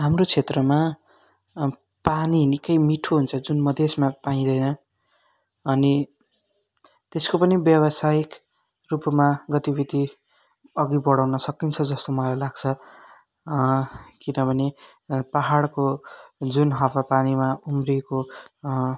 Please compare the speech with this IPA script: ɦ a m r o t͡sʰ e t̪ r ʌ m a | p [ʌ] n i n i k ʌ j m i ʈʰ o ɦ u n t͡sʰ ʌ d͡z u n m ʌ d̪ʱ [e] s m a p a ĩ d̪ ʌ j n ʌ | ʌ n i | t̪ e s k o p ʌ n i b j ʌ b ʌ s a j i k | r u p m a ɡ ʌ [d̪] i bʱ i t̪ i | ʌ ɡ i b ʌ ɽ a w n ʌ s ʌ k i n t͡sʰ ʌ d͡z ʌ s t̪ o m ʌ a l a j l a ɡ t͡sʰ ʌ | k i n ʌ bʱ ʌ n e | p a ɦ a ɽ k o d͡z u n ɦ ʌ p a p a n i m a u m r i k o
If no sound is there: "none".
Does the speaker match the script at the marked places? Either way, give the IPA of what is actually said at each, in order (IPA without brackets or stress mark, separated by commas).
a, e, t̪